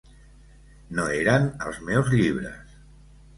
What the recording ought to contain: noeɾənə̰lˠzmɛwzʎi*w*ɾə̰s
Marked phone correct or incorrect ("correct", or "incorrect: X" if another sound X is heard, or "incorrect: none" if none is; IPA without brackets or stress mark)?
incorrect: β